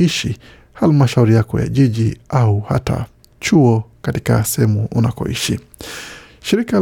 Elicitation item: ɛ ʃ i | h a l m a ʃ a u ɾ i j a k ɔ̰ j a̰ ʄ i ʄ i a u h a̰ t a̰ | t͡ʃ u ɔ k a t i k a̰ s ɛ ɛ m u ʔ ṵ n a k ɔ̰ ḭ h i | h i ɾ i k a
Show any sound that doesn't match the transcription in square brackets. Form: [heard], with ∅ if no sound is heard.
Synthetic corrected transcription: [i] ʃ i | h a l m a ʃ a u ɾ i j a k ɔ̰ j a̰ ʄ i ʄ i a u h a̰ t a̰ | t͡ʃ u ɔ k a t i k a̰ s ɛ ɛ m u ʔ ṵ n a k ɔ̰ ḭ [ʃ] i | [ʃ] i ɾ i k a